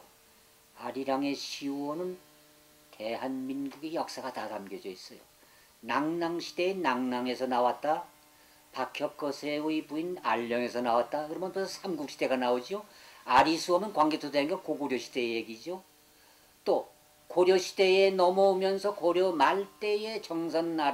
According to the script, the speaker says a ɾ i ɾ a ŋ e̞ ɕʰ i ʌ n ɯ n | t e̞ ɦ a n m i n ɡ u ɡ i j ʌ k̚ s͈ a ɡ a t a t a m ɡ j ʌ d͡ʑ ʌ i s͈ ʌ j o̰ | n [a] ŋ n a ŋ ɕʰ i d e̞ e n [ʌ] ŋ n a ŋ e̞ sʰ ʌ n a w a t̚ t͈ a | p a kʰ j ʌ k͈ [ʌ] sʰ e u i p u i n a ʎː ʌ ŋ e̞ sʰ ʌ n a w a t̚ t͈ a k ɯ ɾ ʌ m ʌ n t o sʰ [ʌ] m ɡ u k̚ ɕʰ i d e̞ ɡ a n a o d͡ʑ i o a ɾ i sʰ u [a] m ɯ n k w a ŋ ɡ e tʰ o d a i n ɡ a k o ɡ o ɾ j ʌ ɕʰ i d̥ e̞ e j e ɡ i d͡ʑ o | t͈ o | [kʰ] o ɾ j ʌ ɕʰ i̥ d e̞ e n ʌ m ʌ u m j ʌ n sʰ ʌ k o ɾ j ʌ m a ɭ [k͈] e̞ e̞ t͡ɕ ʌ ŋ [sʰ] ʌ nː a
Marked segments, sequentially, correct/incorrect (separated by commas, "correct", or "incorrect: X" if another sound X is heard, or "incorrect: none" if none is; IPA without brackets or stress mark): correct, incorrect: a, correct, incorrect: a, incorrect: ʌ, incorrect: k, incorrect: t͈, correct